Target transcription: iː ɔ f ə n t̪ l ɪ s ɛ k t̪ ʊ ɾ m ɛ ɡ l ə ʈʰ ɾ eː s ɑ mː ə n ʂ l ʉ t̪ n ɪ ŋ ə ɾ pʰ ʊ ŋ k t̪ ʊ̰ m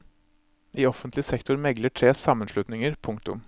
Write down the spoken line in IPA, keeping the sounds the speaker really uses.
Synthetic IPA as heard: iː ɔ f ə n t̪ l ɪ s ɛ k t̪ ʊ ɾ m ɛ ɡ l ə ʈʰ ɾ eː s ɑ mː ə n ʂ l ʉ t̪ n ɪ ŋ ə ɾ pʰ ʊ ŋ k t̪ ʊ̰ m